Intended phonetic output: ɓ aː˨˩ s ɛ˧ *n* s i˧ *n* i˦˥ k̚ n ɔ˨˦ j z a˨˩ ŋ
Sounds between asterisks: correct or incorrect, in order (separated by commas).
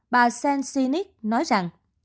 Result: correct, correct